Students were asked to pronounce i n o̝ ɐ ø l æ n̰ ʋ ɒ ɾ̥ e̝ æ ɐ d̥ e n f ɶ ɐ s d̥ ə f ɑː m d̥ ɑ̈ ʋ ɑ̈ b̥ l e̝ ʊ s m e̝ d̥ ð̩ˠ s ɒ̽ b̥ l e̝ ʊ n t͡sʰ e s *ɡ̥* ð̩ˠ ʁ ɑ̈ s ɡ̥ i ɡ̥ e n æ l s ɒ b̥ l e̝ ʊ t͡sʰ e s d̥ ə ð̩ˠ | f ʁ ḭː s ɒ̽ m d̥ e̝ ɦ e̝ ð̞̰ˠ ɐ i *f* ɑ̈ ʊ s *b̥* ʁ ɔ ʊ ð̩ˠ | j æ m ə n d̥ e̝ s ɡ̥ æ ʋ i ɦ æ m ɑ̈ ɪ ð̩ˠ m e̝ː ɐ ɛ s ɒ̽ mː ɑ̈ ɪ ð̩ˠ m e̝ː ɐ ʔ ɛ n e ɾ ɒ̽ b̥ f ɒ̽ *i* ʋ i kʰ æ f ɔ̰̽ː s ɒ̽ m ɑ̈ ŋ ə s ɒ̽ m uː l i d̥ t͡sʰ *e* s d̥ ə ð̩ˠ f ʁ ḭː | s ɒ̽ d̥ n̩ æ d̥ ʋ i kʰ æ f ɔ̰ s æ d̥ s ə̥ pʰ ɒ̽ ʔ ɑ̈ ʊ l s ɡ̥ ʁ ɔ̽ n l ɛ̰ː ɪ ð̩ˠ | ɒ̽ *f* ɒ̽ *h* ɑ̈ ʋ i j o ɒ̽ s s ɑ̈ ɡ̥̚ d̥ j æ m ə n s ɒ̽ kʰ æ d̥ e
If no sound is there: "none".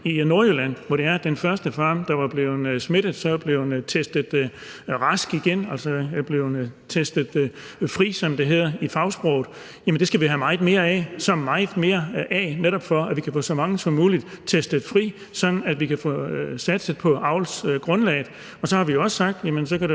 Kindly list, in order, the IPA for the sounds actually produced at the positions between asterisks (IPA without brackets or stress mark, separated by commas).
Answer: d̥, f, b̥, æ, e, s, h